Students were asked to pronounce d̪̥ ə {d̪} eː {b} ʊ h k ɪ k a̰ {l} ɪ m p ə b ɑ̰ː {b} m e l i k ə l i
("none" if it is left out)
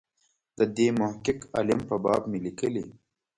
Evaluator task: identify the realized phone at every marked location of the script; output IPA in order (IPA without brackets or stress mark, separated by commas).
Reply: d̪, m, l, b